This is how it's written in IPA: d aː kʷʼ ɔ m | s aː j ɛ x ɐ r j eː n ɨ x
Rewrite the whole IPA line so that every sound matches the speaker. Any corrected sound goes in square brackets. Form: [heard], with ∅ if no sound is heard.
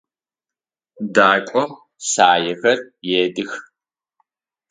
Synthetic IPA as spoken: d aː kʷʼ ɔ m | s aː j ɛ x ɐ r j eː [d] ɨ x